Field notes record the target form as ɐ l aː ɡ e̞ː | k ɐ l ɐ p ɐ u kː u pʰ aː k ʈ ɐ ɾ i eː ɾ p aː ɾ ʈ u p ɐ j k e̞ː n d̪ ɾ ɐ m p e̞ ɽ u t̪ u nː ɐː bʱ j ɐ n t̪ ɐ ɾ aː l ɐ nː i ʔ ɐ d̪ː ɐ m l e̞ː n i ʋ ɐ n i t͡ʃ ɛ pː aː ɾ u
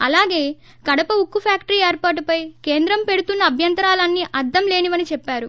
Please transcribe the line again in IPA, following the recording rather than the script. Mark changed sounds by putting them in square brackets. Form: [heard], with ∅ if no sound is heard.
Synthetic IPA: ɐ l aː ɡ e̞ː | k ɐ [ɽ] ɐ p ɐ u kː u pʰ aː k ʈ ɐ ɾ i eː ɾ p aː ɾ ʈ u p ɐ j k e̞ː n d̪ ɾ ɐ m p e̞ ɽ u t̪ u nː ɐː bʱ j ɐ n t̪ ɐ ɾ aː l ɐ nː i ʔ ɐ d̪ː ɐ m l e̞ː n i ʋ ɐ n i t͡ʃ ɛ pː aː ɾ u